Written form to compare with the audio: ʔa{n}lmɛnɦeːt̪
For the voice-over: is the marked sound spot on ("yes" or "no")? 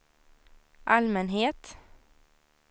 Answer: no